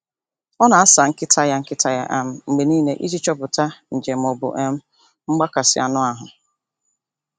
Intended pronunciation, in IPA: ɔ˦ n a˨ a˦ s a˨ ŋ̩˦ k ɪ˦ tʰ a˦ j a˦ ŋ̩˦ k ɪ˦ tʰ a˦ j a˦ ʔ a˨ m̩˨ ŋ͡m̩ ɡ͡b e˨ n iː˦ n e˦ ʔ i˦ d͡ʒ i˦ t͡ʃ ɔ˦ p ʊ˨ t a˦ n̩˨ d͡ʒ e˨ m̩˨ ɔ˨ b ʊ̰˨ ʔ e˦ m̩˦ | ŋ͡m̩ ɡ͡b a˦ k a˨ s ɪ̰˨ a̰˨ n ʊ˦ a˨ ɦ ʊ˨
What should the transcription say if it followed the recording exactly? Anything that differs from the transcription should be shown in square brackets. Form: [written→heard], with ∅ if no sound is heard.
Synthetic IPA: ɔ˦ n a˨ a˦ s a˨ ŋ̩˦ k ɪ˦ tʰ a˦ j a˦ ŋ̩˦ k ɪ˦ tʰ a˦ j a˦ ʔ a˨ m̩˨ ŋ͡m̩ ɡ͡b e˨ n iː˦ n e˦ ʔ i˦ d͡ʒ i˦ t͡ʃ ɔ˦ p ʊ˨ t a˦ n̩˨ d͡ʒ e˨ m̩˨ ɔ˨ b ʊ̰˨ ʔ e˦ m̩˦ | ŋ͡m̩ ɡ͡b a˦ k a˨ s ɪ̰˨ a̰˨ n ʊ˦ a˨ ɦ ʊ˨